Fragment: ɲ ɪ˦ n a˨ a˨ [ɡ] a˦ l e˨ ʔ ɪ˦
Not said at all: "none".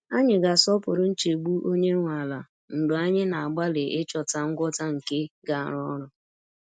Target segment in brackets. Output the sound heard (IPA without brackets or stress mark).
ɡ͡b